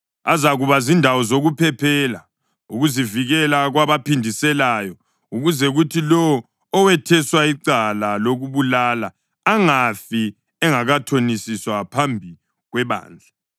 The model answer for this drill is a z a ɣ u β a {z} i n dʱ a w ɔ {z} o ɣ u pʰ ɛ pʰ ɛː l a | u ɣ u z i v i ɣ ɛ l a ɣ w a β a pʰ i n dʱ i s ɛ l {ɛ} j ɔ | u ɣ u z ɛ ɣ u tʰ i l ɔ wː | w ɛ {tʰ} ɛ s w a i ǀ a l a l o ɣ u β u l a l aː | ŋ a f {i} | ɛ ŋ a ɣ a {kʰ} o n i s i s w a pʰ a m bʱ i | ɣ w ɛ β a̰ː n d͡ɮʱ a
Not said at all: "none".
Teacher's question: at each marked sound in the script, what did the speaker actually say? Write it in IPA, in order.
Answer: z, z, a, tʰ, i, tʰ

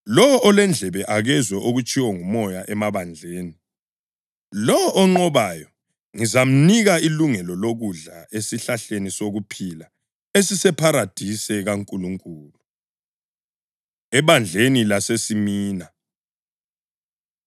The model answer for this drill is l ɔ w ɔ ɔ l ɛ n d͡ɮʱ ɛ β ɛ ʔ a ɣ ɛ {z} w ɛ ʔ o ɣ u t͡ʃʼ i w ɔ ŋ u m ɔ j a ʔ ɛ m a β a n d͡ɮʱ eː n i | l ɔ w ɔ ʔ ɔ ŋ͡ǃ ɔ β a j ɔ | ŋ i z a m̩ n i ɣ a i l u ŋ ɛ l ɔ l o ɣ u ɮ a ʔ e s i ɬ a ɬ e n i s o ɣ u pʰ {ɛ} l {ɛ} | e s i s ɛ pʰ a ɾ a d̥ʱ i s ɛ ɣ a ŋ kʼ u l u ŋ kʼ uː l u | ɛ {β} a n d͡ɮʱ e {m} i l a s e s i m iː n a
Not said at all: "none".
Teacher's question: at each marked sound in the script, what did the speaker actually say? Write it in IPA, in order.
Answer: z, i, a, β, n

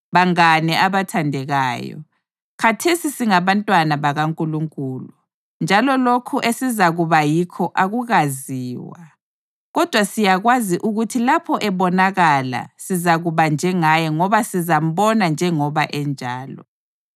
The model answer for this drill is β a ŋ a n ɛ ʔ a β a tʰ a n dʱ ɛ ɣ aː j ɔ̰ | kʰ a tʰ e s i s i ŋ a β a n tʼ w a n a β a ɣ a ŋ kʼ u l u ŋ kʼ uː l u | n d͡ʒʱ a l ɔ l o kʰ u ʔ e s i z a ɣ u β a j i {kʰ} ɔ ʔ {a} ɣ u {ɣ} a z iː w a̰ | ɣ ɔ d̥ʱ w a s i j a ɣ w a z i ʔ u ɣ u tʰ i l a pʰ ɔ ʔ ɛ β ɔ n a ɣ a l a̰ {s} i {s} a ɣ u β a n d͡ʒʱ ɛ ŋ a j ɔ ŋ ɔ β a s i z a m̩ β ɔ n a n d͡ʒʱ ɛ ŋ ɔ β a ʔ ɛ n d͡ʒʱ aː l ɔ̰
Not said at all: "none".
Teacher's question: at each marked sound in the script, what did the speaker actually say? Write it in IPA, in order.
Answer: kʰ, a, ɣ, s, z

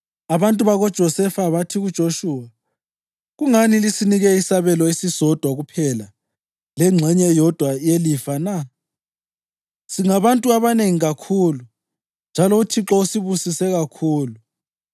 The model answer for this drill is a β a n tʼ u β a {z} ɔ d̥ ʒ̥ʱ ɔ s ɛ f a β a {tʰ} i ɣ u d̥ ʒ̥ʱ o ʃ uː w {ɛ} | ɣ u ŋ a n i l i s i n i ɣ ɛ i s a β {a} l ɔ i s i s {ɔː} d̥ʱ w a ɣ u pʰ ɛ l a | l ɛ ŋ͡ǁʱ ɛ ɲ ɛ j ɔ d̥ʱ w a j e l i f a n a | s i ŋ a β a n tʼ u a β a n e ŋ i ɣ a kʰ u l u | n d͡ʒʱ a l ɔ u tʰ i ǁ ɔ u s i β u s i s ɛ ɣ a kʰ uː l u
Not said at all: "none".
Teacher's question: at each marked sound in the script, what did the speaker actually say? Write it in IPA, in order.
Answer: ɣ, tʰ, a, ɛ, ɔ

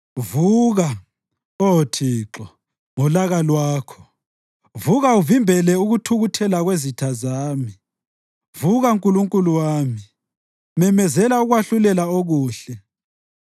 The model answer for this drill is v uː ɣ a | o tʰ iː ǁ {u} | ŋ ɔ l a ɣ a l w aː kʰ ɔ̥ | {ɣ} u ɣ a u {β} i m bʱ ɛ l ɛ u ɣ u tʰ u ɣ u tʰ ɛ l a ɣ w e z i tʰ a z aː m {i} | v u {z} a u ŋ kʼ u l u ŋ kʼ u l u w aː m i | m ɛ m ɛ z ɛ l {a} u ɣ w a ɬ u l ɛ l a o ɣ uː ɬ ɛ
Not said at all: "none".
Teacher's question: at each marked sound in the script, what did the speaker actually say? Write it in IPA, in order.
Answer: ɔ, v, v, i, ɣ, a

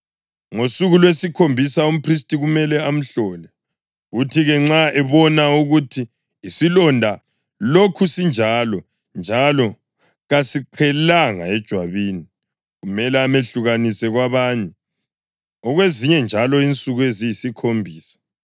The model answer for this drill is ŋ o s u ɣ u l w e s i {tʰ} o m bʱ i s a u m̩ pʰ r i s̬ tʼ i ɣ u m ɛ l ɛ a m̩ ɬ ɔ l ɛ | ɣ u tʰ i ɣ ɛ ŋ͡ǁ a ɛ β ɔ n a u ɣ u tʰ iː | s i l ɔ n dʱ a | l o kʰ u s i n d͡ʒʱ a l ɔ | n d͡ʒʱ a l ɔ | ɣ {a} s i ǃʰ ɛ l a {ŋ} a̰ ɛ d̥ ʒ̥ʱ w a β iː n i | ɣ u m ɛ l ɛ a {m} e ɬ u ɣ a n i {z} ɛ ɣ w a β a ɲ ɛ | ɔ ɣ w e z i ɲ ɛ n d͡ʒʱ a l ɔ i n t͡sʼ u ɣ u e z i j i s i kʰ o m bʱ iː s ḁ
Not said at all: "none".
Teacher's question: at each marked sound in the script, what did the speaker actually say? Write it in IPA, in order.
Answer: kʰ, a, ŋ, m, s

